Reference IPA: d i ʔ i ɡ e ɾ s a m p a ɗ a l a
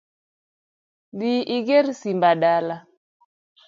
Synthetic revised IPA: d i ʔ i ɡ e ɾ s i m b a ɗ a l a